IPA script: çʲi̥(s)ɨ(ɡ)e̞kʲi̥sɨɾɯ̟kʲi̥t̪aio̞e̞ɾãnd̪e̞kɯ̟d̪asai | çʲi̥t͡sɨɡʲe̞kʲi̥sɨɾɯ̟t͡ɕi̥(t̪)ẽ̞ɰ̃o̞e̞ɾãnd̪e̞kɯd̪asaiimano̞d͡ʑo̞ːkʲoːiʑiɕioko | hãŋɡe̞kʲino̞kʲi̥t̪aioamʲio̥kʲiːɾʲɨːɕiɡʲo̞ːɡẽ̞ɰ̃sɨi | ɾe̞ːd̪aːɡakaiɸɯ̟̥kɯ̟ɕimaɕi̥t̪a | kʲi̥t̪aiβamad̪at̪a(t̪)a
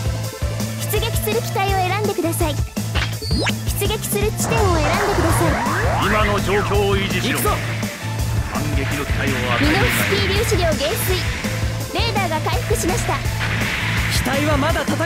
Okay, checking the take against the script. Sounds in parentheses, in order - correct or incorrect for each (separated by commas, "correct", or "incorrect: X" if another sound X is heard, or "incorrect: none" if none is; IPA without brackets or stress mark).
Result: incorrect: t͡s, correct, correct, correct